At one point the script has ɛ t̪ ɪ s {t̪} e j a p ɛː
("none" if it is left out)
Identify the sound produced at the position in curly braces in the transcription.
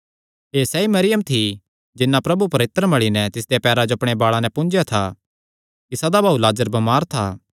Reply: d̪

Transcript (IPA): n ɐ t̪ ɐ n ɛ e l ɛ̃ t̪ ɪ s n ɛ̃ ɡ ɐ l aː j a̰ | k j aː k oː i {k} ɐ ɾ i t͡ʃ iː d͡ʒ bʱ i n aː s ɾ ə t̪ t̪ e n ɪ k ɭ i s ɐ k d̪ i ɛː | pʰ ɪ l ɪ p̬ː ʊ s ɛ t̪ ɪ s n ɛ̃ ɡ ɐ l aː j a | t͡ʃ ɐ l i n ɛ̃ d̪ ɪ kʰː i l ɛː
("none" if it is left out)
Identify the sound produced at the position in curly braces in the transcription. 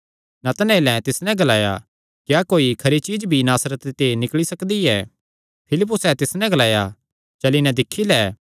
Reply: kʰ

